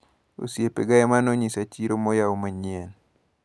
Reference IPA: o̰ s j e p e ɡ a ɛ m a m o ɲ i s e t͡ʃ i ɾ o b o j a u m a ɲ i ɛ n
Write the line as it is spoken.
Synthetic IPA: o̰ s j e p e ɡ a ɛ m a n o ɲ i s a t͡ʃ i ɾ o m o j a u m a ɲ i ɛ n